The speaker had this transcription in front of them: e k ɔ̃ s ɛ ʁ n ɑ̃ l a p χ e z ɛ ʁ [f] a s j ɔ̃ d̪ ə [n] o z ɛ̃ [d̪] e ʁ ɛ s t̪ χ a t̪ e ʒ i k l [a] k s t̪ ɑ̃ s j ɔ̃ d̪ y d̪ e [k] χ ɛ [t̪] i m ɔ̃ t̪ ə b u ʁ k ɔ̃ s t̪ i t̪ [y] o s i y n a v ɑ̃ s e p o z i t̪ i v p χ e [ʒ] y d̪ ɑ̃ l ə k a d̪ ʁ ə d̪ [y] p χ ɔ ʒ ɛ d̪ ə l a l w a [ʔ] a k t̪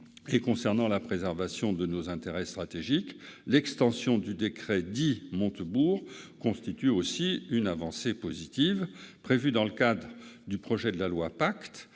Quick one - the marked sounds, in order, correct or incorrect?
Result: incorrect: v, correct, incorrect: t̪, incorrect: ɛ, correct, incorrect: d̪, correct, incorrect: v, correct, incorrect: p

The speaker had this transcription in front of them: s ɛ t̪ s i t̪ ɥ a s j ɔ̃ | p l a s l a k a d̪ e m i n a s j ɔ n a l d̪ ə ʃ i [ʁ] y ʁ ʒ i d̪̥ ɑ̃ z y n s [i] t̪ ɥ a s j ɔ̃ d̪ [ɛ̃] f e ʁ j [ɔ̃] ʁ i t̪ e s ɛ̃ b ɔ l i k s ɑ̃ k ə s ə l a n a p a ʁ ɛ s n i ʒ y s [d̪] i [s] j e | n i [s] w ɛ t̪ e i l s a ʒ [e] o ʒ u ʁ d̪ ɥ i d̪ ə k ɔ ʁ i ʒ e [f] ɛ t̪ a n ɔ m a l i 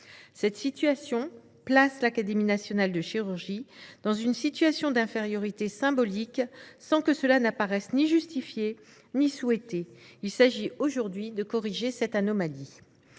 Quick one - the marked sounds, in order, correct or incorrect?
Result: correct, correct, correct, incorrect: ɔ, incorrect: t̪, incorrect: f, correct, incorrect: i, incorrect: s

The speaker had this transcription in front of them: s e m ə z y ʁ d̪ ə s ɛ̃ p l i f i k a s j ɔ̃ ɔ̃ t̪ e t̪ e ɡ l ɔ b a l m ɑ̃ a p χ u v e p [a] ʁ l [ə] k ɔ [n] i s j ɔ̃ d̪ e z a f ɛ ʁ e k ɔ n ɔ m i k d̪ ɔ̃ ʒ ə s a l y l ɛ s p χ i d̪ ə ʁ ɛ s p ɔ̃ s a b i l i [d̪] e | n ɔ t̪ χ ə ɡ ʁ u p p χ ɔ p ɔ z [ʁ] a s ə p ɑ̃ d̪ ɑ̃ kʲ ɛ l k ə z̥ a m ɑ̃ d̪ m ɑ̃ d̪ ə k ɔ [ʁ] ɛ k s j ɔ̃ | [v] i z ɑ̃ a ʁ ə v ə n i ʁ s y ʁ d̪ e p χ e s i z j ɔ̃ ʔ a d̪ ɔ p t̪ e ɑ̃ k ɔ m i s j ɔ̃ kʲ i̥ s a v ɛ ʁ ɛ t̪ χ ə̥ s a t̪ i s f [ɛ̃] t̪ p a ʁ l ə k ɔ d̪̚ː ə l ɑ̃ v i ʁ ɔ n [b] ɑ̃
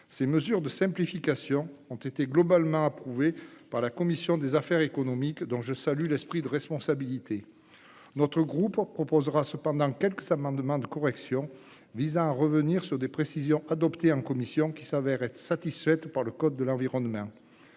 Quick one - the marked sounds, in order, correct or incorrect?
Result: correct, incorrect: a, incorrect: m, incorrect: t̪, correct, correct, correct, incorrect: ɛ, incorrect: m

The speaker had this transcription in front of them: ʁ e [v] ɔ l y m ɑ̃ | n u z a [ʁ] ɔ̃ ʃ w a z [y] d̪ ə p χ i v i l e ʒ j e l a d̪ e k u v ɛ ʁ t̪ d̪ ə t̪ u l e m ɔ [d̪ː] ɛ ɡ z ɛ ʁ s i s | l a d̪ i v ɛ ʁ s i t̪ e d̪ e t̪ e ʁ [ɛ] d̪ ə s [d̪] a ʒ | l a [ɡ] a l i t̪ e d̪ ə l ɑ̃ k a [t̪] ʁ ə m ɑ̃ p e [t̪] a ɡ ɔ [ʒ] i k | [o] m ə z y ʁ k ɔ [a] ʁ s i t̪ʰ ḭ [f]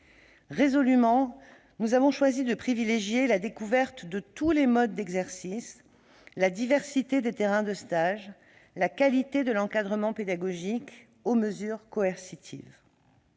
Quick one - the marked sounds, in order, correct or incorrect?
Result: incorrect: z, incorrect: v, incorrect: i, correct, incorrect: ɛ̃, incorrect: t̪, incorrect: k, incorrect: d̪, incorrect: d̪, correct, correct, incorrect: ɛ, incorrect: v

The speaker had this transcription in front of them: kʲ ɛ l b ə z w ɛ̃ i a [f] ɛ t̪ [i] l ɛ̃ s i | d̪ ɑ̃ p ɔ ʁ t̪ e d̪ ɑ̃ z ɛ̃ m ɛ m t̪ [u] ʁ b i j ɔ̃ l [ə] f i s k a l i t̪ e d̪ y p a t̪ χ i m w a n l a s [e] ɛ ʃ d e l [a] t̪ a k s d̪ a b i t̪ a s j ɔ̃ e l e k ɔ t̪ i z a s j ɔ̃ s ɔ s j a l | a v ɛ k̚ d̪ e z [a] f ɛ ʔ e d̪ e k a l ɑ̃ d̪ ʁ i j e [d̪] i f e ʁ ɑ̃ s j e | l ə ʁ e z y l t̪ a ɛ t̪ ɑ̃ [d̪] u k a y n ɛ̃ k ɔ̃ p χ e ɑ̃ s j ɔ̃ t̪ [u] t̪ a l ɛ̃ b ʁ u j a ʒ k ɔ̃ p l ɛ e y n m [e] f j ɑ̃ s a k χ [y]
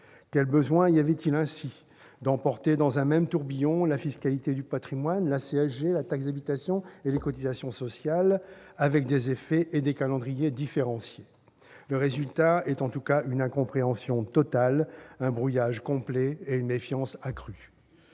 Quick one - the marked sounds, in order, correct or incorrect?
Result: incorrect: v, correct, correct, incorrect: a, correct, correct, incorrect: e, correct, incorrect: t̪, incorrect: ɔ, correct, correct

